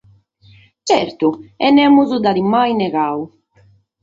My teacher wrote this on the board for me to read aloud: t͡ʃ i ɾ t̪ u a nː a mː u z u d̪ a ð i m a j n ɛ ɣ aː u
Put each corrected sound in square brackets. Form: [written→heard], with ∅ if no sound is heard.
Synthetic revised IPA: t͡ʃ [i→ɛ] ɾ t̪ u [a→ɛ] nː [a→ɛ] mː u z u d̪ a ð i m a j n ɛ ɣ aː u